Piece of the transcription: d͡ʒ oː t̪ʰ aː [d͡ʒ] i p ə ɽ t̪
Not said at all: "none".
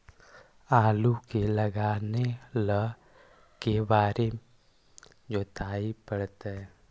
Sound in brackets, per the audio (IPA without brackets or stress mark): none